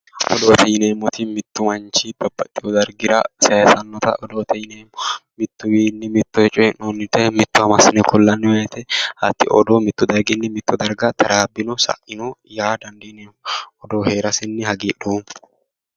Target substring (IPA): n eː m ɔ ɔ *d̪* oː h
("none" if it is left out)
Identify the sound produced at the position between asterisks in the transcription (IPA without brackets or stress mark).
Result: d̪